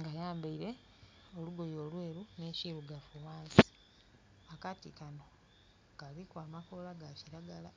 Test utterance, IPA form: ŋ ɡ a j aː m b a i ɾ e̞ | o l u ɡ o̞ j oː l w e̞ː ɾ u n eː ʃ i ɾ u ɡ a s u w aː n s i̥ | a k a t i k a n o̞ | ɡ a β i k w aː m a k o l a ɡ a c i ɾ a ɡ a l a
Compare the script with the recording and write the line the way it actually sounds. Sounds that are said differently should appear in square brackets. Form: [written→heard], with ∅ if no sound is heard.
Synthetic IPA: ŋ ɡ a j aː m b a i ɾ e̞ | o l u ɡ o̞ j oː l w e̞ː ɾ u n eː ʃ i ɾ u ɡ a [s→f] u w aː n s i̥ | a k a t i k a n o̞ | ɡ a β i k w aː m a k o l a ɡ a c i ɾ a ɡ a l a